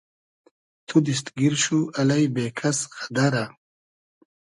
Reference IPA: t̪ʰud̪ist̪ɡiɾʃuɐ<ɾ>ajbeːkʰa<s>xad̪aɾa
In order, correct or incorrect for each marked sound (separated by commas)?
incorrect, correct